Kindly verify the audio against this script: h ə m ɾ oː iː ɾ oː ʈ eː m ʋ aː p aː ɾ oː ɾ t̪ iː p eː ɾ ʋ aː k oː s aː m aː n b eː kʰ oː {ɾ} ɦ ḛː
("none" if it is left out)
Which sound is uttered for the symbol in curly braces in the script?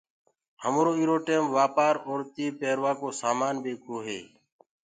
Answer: none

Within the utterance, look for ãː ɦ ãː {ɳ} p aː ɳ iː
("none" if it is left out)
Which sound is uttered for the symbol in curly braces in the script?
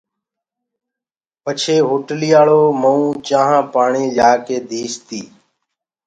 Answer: none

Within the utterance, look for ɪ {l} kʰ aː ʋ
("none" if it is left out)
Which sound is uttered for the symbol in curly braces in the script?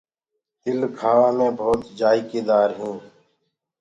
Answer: l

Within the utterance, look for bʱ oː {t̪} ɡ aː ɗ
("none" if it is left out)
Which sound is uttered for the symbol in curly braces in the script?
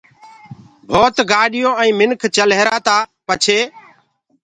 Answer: t̪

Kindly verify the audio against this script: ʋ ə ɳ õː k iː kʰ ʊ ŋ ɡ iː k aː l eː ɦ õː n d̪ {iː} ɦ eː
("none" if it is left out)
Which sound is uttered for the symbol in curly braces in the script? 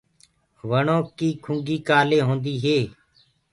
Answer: iː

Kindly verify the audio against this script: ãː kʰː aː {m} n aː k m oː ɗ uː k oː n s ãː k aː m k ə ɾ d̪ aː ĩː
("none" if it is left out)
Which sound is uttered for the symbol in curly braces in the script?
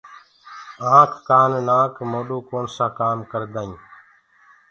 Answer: n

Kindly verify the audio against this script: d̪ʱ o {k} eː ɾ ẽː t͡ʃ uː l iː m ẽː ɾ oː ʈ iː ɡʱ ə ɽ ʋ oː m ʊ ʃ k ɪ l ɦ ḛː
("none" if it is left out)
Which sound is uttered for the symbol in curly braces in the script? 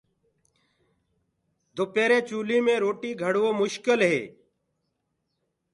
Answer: p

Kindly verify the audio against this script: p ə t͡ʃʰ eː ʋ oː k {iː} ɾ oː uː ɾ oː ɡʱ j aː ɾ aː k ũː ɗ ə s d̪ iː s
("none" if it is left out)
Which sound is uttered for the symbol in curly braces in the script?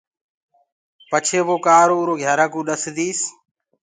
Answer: aː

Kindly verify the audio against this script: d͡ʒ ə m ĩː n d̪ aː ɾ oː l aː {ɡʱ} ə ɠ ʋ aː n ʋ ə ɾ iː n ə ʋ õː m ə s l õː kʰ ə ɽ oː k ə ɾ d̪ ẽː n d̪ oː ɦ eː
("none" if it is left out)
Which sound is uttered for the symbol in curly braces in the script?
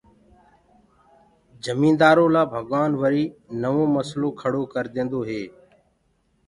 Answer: bʱ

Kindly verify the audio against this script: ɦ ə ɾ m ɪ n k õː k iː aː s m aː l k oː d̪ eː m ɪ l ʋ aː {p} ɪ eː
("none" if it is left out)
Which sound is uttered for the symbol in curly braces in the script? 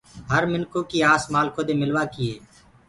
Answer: k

